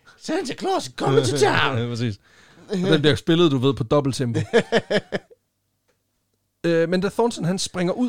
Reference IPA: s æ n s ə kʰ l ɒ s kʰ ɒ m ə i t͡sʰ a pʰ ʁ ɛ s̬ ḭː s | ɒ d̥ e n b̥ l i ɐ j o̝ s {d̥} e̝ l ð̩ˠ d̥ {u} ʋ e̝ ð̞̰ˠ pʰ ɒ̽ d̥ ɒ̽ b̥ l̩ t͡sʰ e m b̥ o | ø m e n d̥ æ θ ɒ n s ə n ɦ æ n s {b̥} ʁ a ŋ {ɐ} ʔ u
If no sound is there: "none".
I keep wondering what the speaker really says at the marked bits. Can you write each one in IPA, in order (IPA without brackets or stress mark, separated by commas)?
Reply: b̥, u, b̥, ɐ